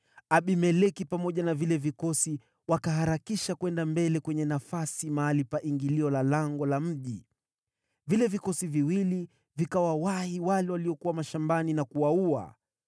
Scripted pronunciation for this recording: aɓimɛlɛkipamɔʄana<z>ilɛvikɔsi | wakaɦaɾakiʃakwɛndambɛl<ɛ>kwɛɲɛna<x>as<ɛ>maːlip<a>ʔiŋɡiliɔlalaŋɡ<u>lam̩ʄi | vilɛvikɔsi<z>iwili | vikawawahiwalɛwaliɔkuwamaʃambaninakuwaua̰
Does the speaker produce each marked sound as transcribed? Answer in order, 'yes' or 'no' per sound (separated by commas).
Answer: no, yes, no, no, yes, no, no